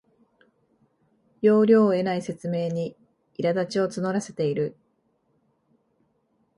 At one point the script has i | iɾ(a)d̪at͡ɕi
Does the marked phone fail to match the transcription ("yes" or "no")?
no